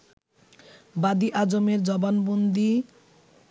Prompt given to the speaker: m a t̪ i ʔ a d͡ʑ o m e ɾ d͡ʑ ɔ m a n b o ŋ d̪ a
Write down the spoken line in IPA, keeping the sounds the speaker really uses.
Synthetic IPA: b a d̪ i ʔ a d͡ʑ o m e ɾ d͡ʑ ɔ b a n b o n d̪ i